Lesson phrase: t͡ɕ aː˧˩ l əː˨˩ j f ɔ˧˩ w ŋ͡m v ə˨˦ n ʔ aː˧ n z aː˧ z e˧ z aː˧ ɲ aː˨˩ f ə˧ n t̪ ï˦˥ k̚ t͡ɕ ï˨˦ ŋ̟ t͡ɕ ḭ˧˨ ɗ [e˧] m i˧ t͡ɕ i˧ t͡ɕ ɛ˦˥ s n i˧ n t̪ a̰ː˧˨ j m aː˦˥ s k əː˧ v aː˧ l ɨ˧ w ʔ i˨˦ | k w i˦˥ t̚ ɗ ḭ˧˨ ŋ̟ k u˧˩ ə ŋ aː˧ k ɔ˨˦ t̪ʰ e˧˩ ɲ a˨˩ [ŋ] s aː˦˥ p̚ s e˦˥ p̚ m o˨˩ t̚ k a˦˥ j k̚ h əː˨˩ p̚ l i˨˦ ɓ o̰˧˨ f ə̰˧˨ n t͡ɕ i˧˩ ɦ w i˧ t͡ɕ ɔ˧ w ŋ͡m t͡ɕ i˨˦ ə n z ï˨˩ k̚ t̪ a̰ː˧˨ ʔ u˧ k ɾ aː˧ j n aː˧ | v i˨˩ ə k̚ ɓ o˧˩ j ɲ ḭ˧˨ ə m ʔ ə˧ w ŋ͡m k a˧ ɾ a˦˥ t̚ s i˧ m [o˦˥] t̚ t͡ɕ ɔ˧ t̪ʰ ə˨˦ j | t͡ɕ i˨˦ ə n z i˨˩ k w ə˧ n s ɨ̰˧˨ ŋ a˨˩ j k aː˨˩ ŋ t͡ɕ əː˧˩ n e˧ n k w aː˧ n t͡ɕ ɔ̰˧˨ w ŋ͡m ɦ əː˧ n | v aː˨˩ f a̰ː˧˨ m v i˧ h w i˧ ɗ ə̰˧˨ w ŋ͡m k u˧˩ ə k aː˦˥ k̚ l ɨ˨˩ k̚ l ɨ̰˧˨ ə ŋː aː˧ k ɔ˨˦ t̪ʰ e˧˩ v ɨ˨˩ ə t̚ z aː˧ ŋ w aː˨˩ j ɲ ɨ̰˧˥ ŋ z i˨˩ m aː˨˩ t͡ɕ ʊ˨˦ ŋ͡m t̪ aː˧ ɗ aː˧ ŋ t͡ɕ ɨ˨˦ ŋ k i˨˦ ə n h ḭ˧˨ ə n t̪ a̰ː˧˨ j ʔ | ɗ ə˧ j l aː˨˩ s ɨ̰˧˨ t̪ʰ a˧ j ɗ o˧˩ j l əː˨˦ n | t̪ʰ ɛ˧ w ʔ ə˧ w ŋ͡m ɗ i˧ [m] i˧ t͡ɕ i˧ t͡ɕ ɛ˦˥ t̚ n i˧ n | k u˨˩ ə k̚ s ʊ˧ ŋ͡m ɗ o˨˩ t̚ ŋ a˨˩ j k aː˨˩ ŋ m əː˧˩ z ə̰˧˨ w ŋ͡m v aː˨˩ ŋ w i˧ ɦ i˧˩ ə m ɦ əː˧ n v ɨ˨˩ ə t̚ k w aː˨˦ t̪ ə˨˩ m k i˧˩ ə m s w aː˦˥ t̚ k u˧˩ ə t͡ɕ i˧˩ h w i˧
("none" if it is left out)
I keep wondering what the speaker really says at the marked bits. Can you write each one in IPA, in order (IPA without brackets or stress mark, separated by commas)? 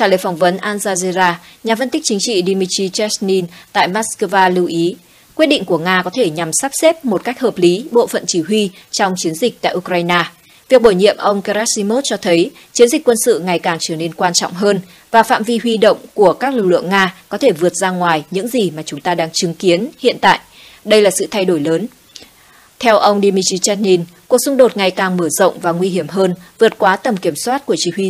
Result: i˧, m, o˦˥, m